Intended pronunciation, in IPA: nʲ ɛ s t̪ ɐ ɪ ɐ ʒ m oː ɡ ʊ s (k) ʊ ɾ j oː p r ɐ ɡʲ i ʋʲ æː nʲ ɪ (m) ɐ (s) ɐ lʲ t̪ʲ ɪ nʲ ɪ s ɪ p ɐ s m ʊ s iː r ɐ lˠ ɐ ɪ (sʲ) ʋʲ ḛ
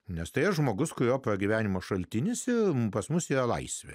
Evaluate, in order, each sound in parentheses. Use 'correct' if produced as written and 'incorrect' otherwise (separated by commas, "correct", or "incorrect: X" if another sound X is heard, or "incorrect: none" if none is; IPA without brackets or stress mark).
correct, correct, incorrect: ʃ, correct